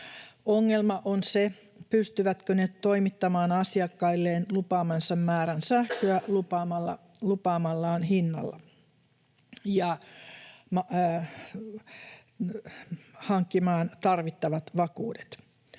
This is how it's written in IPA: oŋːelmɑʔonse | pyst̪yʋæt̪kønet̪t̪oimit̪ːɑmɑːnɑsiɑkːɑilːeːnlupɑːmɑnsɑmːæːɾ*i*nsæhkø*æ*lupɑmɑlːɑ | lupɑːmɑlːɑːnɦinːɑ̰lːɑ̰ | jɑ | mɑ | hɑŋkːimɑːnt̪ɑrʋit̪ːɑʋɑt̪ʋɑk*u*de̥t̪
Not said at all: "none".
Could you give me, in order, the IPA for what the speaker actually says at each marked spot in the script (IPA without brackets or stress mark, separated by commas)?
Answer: æ, æ, uː